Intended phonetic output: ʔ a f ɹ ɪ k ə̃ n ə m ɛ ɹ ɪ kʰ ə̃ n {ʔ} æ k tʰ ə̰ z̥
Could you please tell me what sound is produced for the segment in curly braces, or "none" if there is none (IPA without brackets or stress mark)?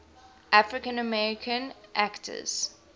ʔ